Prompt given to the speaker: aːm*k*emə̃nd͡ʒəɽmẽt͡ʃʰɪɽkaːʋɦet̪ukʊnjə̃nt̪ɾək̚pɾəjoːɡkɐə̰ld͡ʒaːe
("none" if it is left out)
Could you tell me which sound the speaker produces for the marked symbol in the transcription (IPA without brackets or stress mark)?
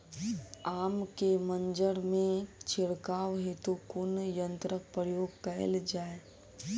k